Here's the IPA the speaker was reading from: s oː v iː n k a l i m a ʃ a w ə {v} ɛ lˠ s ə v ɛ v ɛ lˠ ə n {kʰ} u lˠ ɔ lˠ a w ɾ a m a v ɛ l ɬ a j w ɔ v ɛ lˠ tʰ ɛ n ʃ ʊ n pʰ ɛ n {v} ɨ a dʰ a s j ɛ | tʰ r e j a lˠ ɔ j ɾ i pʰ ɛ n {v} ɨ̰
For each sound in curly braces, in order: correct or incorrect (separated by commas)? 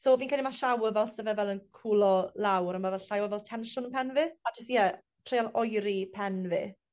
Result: correct, correct, correct, correct